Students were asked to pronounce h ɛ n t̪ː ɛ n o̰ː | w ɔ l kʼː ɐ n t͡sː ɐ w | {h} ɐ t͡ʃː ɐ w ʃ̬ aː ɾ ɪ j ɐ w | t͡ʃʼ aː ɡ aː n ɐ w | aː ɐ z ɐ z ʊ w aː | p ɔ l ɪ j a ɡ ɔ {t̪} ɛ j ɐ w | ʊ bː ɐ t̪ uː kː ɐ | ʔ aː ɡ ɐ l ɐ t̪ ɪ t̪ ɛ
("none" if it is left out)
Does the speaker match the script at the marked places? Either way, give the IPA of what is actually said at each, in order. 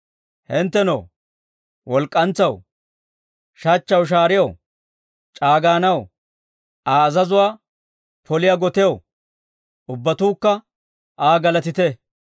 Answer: ʃ, t̪

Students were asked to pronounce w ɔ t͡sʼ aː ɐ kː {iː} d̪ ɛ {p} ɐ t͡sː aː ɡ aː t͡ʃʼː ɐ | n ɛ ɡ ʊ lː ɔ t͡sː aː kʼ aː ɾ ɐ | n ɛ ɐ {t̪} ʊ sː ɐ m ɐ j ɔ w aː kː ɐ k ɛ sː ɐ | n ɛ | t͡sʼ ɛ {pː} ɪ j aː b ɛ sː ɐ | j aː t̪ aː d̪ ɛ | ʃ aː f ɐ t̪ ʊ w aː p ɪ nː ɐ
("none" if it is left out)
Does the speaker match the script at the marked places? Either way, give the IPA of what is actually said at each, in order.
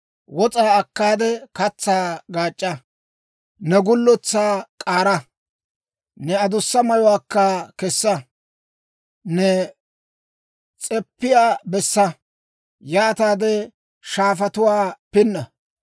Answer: aː, k, d̪, pː

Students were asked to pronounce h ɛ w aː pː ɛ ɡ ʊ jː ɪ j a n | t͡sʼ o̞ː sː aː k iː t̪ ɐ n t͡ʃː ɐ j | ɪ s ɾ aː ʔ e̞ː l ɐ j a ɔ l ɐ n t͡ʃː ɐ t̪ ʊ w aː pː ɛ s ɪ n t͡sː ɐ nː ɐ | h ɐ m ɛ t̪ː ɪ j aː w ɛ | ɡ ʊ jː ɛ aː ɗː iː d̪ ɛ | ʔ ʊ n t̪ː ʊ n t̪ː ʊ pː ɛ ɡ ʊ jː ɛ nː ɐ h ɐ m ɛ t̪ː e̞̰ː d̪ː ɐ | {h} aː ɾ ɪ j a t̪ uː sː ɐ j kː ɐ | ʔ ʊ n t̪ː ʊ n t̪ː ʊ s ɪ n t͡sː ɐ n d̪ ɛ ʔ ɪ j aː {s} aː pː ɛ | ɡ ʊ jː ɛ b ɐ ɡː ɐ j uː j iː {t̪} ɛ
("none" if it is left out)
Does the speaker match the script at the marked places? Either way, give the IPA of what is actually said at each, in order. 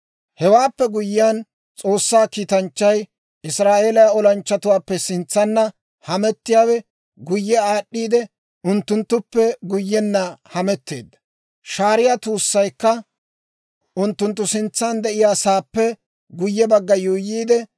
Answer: ʃ, s, d̪

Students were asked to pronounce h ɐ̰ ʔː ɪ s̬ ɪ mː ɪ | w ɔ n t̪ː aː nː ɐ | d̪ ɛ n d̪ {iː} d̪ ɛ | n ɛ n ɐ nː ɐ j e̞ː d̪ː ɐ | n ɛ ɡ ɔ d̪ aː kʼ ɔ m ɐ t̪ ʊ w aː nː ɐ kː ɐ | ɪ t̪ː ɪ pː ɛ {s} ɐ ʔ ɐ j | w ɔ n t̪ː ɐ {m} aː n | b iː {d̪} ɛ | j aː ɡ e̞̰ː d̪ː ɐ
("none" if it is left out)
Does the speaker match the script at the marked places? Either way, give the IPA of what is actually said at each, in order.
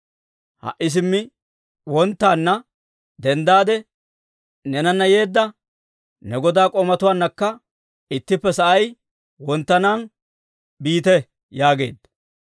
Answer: aː, s, n, t̪

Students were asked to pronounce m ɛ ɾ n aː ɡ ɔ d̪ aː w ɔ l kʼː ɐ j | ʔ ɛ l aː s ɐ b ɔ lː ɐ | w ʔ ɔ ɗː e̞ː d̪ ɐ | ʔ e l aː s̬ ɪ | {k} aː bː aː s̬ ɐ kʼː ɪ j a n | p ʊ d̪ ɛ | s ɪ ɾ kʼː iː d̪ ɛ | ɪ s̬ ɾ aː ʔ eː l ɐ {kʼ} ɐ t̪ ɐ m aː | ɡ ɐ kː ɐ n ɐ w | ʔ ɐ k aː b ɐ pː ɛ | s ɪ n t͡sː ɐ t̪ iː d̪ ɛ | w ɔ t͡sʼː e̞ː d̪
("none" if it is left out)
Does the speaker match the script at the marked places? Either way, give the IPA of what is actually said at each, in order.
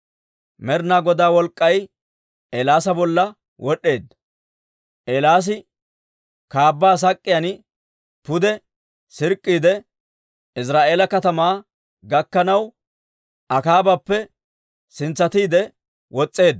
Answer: k, k

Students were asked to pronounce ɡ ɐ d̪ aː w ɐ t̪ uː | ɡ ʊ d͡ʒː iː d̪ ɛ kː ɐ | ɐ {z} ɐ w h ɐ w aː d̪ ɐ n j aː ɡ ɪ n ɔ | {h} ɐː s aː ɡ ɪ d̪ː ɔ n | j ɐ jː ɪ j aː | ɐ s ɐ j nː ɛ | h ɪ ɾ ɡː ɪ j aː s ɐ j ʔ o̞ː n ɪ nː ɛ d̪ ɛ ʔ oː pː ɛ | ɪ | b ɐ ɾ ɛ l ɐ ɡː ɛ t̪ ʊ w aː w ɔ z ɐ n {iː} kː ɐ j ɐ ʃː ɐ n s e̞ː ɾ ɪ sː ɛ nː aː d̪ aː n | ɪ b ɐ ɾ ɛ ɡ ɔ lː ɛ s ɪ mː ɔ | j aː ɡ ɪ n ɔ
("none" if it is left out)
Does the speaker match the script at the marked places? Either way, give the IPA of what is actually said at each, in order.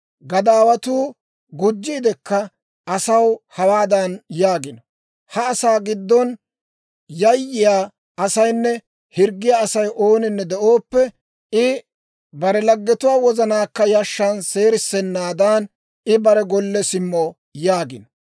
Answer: s, h, aː

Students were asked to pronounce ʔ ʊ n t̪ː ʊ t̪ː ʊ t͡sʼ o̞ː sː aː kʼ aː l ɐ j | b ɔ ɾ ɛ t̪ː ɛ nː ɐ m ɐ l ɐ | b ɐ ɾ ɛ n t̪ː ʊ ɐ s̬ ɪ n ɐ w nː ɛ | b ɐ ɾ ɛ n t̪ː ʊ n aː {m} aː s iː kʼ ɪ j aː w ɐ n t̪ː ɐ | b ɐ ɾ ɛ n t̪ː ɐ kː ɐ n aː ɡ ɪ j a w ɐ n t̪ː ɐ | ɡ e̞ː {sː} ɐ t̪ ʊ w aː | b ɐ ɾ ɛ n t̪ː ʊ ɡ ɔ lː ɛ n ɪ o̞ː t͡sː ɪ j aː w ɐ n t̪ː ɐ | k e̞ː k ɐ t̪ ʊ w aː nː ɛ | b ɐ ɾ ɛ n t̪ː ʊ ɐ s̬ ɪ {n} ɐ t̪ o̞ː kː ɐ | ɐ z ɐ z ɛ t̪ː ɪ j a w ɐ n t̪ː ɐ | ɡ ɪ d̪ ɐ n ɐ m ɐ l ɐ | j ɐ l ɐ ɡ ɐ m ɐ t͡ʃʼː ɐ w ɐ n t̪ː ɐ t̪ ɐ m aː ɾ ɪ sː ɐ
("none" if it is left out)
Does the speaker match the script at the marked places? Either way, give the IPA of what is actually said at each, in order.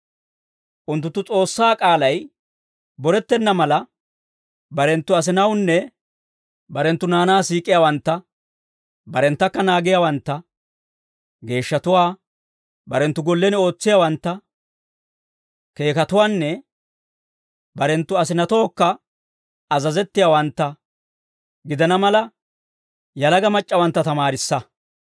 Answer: n, ʃː, n

